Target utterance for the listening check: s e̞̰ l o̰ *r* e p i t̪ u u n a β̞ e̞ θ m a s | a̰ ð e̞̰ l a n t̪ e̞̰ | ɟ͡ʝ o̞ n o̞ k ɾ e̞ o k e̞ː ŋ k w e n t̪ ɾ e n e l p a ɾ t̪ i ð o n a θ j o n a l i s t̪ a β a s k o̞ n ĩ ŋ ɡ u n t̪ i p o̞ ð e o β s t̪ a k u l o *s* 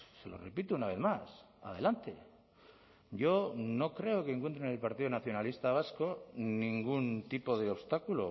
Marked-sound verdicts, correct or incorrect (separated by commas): correct, incorrect